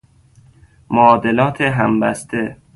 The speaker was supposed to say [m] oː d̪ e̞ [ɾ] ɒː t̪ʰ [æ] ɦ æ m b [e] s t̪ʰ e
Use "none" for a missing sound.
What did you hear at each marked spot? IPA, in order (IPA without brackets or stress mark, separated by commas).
m, l, e, æ